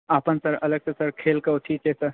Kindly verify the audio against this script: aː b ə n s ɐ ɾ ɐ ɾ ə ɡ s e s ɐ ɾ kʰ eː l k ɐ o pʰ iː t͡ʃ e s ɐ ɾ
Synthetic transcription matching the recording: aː p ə n s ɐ ɾ ɐ l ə ɡ s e s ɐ ɾ kʰ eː l k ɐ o ʈʰ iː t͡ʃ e s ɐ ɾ